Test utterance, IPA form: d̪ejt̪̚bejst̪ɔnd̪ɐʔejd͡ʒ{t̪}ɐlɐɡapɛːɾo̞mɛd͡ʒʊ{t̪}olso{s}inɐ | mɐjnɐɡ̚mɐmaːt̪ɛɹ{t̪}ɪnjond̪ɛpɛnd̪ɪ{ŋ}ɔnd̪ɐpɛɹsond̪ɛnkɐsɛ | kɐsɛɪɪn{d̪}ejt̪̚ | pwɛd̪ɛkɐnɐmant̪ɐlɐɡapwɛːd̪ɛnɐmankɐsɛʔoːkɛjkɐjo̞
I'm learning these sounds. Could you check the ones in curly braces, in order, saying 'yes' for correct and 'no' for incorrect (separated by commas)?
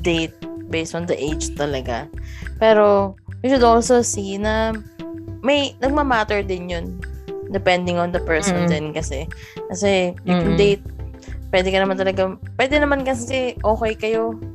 yes, no, yes, no, yes, yes